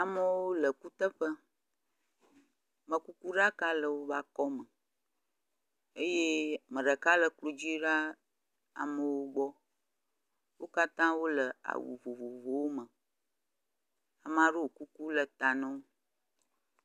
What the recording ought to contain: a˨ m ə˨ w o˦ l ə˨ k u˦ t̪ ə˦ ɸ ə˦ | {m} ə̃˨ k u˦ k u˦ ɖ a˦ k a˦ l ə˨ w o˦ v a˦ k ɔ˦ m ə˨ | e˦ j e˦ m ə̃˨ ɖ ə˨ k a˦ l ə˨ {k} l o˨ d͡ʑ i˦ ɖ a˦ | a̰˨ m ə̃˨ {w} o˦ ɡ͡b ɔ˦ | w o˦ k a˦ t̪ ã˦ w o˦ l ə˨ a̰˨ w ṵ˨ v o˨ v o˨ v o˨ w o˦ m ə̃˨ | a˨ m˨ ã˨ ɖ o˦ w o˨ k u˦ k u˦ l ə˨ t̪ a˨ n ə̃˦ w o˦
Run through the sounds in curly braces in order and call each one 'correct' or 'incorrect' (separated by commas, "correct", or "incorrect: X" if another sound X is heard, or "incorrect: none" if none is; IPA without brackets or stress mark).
correct, correct, correct